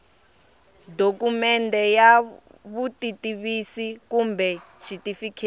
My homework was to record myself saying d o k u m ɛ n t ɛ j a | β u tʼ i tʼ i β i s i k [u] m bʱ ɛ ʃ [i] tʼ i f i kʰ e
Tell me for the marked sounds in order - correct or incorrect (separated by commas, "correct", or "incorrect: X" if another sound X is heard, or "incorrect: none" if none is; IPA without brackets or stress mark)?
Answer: correct, correct